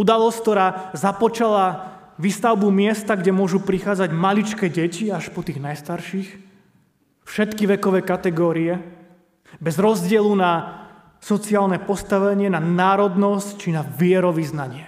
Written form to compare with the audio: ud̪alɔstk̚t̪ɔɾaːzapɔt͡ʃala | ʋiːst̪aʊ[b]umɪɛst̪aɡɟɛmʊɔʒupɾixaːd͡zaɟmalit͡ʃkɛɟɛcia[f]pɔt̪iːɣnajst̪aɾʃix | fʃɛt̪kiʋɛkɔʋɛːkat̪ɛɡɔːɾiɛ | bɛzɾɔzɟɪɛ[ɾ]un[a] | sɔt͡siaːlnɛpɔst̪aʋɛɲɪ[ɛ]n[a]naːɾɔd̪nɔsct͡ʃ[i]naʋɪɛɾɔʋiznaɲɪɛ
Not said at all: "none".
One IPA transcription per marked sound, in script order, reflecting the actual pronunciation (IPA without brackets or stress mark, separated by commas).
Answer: b, ʃ, l, a, ɛ, a, i